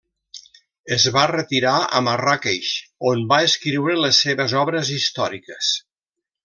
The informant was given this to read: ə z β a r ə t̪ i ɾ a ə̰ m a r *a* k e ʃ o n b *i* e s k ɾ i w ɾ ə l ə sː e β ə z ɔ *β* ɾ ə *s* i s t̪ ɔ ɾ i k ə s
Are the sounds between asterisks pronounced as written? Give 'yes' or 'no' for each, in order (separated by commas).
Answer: yes, no, yes, no